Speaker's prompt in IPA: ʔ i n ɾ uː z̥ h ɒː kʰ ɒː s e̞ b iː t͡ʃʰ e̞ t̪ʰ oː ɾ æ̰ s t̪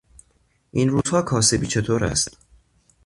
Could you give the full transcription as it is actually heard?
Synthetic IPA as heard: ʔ i n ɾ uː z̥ h ɒː kʰ ɒː s e̞ b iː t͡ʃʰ e̞ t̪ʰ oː ɾ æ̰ s t̪